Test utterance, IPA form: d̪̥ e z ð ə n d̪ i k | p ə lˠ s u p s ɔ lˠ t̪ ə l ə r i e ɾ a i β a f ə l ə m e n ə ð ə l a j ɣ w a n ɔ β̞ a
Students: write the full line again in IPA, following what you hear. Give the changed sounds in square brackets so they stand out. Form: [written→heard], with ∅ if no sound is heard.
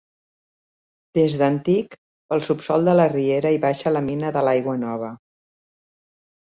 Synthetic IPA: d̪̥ e z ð ə n [d̪→t̪] i k | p ə lˠ s u p s ɔ lˠ [t̪→d̪] ə l ə r i e ɾ [a→ə] i β a [f→ʃ] ə l ə m [e→i] n ə ð ə l a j ɣ w [a→ə] n ɔ β̞ [a→ə]